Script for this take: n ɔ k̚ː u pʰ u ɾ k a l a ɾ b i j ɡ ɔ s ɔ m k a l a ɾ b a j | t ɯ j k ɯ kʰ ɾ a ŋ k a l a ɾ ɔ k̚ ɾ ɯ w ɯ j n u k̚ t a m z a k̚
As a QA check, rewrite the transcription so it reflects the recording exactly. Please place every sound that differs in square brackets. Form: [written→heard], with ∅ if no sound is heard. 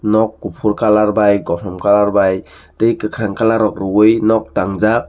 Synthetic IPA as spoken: n ɔ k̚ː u pʰ u ɾ k a l a ɾ b [i→a] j ɡ ɔ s ɔ m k a l a ɾ b a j | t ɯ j k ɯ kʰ ɾ a ŋ k a l a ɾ ɔ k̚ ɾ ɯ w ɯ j n [u→ɔ] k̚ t a [m→ŋ] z a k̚